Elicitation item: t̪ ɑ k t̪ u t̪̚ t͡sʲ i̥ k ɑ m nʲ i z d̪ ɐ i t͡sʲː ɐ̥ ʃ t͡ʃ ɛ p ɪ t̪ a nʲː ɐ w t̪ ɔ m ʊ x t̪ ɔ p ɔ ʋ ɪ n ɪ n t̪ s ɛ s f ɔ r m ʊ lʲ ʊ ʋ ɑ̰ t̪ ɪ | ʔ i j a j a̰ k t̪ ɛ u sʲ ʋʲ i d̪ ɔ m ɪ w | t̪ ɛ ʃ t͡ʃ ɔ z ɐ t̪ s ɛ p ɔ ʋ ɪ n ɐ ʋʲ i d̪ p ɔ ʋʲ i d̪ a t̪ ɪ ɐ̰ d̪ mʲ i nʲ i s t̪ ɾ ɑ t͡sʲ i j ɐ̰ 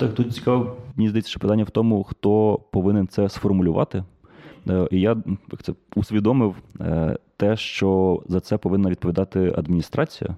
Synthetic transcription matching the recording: t̪ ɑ k t̪ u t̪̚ t͡sʲ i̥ k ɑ m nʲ i z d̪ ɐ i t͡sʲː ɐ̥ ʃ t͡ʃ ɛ p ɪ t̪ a nʲː ɐ w t̪ ɔ m ʊ x t̪ ɔ p ɔ ʋ ɪ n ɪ n t̪ s ɛ s f ɔ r m ʊ lʲ ʊ ʋ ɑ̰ t̪ ɪ | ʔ i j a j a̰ k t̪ ɛ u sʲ ʋʲ i d̪ ɔ m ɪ w | t̪ ɛ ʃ t͡ʃ ɔ z ɐ t̪ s ɛ p ɔ ʋ ɪ nː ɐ ʋʲ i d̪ p ɔ ʋʲ i d̪ ɑ t̪ ɪ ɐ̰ d̪ mʲ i nʲ i s t̪ ɾ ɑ t͡sʲ i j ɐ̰